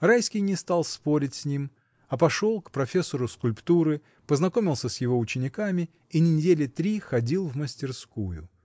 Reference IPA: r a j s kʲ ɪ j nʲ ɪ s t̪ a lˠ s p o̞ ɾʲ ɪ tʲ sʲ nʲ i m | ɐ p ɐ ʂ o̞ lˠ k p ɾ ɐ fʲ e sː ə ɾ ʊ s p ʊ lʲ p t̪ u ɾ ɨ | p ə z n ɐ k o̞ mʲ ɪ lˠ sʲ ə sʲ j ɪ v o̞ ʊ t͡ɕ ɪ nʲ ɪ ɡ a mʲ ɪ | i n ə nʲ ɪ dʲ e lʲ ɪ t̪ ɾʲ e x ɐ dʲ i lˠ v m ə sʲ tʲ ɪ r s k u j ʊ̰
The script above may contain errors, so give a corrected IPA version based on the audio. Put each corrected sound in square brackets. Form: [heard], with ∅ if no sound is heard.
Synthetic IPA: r a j s kʲ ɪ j nʲ ɪ s t̪ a lˠ s p o̞ ɾʲ ɪ tʲ sʲ nʲ i m | ɐ p ɐ ʂ o̞ lˠ k p ɾ ɐ fʲ e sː ə ɾ ʊ s [k] ʊ lʲ p t̪ u ɾ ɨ | p ə z n ɐ k o̞ mʲ ɪ lˠ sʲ ə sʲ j ɪ v o̞ ʊ t͡ɕ ɪ nʲ ɪ [k] a mʲ ɪ | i n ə nʲ ɪ dʲ e lʲ ɪ t̪ ɾʲ [i] x ɐ dʲ i lˠ v m ə sʲ tʲ ɪ r s k u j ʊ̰